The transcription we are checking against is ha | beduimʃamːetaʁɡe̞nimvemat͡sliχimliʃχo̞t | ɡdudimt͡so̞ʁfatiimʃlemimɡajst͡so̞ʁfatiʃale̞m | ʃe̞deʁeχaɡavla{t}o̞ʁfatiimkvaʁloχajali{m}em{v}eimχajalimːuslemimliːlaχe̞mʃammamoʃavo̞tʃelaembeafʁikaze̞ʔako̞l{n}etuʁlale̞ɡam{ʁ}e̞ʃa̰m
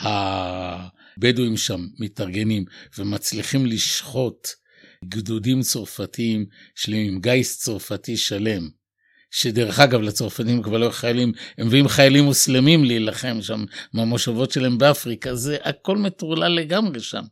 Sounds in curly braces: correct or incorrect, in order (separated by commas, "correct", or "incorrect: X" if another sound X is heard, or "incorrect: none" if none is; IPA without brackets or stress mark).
incorrect: t͡s, correct, correct, incorrect: m, correct